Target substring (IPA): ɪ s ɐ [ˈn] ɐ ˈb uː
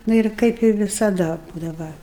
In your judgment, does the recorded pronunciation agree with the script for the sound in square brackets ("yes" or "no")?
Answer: no